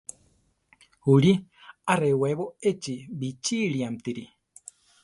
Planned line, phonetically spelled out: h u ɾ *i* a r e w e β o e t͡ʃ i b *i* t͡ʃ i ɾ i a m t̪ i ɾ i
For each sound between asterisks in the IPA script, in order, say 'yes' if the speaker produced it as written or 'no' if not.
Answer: yes, yes

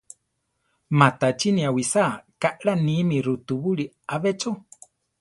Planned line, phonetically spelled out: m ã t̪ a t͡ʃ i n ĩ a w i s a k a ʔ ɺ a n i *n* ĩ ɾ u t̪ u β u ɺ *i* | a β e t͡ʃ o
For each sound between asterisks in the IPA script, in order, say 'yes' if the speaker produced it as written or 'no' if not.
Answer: no, yes

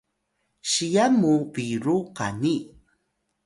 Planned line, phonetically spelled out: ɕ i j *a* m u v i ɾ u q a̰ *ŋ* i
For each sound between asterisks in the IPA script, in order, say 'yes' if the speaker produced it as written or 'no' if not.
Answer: yes, no

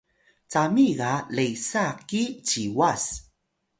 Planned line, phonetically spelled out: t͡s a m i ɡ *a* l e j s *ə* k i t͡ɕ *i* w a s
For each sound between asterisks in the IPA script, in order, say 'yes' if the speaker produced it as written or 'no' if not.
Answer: yes, no, yes

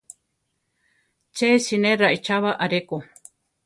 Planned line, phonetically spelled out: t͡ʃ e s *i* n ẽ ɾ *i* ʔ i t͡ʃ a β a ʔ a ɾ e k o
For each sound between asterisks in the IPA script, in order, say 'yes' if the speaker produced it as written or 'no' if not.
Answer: yes, no

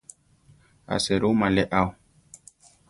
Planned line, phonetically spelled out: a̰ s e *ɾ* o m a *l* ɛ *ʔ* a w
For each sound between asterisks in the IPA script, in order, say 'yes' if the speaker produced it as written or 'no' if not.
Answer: yes, yes, yes

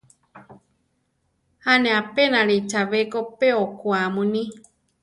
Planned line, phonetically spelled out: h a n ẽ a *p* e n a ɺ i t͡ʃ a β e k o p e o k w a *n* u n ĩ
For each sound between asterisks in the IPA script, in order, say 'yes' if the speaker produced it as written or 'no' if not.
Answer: yes, no

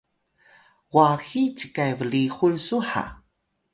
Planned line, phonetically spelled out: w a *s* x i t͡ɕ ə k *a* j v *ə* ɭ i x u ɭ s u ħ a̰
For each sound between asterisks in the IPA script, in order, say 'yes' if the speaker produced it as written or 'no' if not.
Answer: no, yes, yes

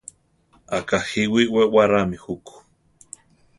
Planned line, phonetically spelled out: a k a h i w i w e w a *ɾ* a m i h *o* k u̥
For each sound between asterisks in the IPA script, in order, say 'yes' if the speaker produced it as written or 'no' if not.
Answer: yes, no

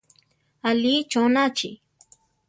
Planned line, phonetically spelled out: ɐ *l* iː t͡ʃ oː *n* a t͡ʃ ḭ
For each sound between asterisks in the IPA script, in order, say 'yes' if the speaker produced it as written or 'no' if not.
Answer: yes, yes

